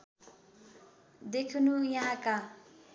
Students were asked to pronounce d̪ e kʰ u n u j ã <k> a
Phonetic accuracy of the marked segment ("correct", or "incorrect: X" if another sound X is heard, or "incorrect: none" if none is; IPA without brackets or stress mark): correct